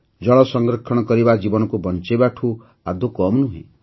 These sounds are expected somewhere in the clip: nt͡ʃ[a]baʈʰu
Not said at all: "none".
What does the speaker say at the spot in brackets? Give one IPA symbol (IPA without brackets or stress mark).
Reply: e